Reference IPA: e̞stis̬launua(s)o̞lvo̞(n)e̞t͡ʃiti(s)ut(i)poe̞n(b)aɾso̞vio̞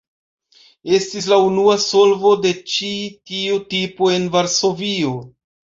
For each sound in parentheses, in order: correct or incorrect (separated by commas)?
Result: correct, incorrect, incorrect, correct, incorrect